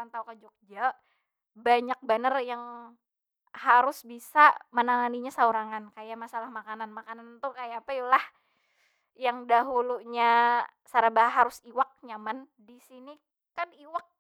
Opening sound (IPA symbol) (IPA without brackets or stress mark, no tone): a